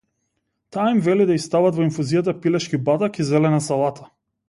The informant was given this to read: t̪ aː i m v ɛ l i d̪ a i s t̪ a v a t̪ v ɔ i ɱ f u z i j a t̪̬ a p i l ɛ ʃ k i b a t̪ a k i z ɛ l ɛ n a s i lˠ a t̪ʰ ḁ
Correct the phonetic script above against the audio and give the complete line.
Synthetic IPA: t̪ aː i m v ɛ l i d̪ a i s t̪ a v a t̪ v ɔ i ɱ f u z i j a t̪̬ a p i l ɛ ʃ k i b a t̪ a k i z ɛ l ɛ n a s a lˠ a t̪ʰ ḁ